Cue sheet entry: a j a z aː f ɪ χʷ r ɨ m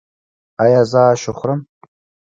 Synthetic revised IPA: a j a z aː ʃ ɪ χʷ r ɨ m